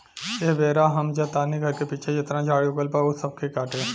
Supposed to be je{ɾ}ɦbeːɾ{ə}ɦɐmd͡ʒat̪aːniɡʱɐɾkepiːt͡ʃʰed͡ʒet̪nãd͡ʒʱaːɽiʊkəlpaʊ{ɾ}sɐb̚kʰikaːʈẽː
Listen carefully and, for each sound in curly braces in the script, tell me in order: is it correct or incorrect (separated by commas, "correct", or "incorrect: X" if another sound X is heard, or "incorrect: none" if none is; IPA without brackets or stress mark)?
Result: incorrect: none, incorrect: a, incorrect: none